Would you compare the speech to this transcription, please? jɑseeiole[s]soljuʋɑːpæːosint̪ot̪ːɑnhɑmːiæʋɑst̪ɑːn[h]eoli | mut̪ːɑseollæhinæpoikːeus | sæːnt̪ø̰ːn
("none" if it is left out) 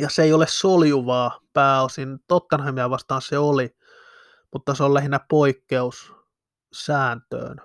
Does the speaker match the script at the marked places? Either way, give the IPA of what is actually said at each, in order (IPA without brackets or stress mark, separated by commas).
s, s